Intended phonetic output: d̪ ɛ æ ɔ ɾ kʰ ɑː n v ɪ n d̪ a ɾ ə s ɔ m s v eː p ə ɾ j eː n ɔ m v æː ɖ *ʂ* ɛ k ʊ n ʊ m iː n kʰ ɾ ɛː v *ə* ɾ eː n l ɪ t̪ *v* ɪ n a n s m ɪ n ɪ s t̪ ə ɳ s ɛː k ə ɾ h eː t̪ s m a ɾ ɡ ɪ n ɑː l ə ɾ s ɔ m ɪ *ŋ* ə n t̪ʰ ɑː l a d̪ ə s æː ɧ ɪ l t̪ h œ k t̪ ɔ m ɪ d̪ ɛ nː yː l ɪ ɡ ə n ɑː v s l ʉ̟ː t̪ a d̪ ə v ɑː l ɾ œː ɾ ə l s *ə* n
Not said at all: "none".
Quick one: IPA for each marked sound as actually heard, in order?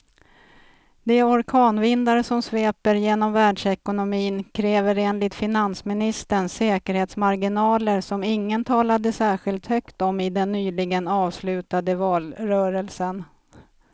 ʂ, ə, f, ŋː, ə

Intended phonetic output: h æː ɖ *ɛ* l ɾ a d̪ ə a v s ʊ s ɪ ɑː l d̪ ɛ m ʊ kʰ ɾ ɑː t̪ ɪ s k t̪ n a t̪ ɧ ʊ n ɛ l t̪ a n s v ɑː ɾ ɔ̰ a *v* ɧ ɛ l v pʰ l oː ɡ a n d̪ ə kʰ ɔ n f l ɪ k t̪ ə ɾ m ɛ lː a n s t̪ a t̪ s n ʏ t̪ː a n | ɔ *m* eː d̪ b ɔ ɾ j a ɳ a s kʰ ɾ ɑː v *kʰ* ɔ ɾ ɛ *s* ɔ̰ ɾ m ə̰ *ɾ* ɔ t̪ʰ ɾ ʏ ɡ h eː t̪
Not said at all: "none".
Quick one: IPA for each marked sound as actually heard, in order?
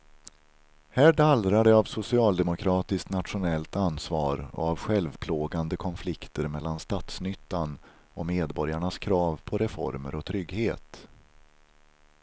a, v, m, pʰ, f, ɾ

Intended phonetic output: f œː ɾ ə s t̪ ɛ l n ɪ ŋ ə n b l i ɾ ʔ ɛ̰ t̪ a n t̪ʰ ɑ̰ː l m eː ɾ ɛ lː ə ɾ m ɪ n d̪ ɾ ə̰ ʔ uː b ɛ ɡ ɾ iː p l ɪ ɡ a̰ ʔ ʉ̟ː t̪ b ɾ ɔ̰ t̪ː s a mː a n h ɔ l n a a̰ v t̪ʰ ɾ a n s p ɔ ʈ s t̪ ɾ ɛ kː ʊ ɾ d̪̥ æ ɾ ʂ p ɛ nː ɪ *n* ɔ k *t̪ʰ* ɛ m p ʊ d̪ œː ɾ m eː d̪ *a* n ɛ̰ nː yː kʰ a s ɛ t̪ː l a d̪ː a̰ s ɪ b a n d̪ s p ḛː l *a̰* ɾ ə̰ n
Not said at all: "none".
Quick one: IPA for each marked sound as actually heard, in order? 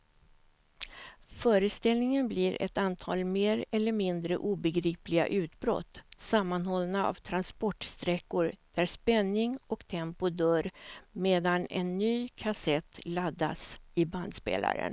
ŋ, t̪ʰ, a, a̰

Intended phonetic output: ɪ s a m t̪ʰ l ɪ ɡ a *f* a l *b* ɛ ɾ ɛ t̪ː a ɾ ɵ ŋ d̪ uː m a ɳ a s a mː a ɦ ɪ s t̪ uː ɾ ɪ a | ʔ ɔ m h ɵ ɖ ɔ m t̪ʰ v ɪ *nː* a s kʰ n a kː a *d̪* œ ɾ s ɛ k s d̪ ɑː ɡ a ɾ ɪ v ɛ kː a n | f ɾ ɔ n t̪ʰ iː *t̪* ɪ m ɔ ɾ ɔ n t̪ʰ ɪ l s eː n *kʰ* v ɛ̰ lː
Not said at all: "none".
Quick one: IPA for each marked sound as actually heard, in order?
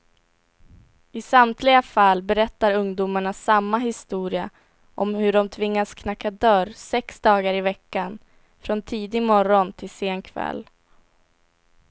f, b, ŋː, d̪, d̪, kʰ

